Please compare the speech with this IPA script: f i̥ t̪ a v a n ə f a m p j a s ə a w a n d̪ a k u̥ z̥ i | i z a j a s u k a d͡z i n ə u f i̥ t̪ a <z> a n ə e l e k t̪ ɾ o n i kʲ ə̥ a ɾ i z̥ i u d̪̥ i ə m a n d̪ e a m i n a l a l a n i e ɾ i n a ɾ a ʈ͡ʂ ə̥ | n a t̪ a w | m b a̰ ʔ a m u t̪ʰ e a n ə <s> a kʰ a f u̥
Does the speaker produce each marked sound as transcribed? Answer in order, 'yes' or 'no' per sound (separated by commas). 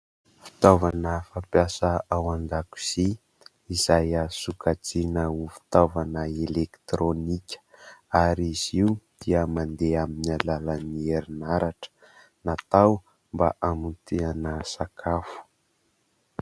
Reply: no, yes